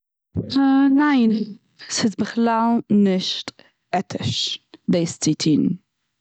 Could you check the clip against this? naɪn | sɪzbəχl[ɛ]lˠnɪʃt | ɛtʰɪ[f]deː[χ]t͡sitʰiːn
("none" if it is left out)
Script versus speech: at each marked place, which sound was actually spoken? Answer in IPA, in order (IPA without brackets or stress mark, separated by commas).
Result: a, ʃ, s